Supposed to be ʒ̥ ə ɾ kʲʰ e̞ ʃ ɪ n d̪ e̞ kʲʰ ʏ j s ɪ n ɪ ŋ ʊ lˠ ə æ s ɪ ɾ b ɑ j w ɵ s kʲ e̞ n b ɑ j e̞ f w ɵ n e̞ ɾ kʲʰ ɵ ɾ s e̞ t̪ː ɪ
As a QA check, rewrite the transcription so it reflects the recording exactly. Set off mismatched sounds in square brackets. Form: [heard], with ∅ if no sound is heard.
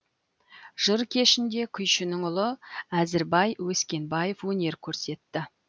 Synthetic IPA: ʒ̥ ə ɾ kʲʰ e̞ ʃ ɪ n d̪ e̞ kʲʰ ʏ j [ʃ] ɪ n ɪ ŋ ʊ lˠ ə æ [z] ɪ ɾ b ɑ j w ɵ s kʲ e̞ n b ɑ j e̞ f w ɵ n e̞ ɾ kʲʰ ɵ ɾ s e̞ t̪ː ɪ